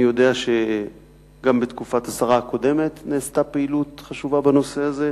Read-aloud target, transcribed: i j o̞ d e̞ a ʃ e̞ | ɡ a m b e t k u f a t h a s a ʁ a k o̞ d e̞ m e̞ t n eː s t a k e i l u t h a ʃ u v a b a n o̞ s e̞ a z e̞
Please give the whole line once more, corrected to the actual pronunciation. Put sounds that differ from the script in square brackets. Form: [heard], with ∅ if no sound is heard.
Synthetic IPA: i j o̞ d e̞ a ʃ e̞ | ɡ a m b e t k u f a t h a s a ʁ a k o̞ d e̞ m e̞ t n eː s t a [p] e i l u t [χ] a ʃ u v a b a n o̞ s e̞ a z e̞